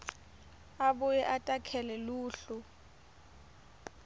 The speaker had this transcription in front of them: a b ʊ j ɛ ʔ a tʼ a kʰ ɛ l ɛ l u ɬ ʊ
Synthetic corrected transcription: a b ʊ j ɛ ʔ a tʼ a kʰ ɛ l ɛ l uː ɬ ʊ